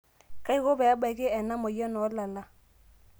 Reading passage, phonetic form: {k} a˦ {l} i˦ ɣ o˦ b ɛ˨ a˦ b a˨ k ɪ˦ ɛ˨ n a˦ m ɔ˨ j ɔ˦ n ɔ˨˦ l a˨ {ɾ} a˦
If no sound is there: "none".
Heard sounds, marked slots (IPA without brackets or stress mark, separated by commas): k, none, l